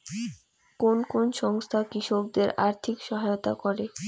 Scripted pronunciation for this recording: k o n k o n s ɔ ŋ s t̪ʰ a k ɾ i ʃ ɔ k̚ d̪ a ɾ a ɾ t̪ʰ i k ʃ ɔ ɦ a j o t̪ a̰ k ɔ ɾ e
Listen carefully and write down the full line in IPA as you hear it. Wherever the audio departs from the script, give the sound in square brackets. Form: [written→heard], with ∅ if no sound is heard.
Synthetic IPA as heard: k o n k o n [s→ʃ] ɔ ŋ s t̪ʰ a k ɾ i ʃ [ɔ→o] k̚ d̪ [a→e] ɾ a ɾ t̪ʰ i k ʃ ɔ ɦ a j o t̪ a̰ k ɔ ɾ e